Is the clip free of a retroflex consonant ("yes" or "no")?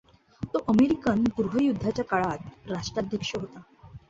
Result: no